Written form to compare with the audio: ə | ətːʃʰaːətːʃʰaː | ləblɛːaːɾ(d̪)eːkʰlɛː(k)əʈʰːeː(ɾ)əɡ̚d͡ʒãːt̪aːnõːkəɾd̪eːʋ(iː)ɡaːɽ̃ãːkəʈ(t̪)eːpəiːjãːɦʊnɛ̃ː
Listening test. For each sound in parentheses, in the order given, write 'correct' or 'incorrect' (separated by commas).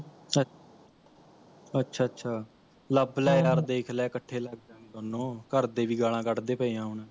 correct, correct, incorrect, correct, incorrect